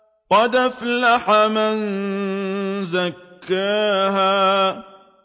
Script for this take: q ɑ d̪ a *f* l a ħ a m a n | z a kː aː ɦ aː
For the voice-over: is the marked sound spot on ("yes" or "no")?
yes